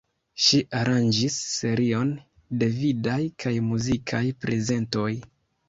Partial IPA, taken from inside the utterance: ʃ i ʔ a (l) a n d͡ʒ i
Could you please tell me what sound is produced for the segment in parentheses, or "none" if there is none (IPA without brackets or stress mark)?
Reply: ɾ